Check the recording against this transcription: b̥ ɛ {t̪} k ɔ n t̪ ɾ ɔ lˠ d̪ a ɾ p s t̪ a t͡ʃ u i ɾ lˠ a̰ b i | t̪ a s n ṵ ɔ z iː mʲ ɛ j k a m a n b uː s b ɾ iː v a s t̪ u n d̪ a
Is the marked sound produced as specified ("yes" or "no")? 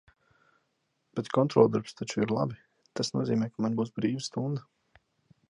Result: yes